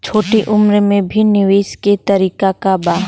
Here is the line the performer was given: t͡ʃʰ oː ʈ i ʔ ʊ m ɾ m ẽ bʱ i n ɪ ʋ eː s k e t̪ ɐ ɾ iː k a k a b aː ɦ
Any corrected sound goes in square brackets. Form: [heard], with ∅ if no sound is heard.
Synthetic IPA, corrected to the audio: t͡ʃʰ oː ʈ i ʔ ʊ m ɾ m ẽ bʱ i n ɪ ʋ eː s k e t̪ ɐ ɾ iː k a k a b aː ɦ